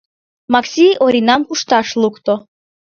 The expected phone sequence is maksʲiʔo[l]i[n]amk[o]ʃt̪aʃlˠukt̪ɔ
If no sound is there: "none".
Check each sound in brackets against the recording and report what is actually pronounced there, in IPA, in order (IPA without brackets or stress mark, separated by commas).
ɾ, n, u